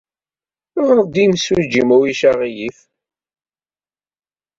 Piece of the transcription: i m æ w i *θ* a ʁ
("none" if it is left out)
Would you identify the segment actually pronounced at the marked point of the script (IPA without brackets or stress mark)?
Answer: ʃ